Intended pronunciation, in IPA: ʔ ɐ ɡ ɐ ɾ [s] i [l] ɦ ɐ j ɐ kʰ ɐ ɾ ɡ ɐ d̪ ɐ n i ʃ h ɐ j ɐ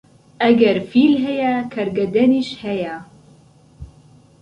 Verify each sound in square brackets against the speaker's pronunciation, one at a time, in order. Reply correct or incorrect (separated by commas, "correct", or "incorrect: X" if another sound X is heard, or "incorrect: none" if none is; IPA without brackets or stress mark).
incorrect: f, correct